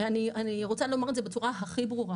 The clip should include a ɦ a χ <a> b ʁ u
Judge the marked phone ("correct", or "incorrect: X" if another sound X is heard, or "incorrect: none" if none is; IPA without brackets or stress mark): incorrect: i